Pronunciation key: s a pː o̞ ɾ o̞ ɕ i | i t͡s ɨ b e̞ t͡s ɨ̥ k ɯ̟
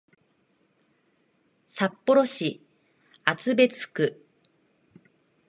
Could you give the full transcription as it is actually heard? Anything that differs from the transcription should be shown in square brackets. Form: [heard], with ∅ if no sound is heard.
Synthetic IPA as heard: s a pː o̞ ɾ o̞ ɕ i | [a] t͡s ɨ b e̞ t͡s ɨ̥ k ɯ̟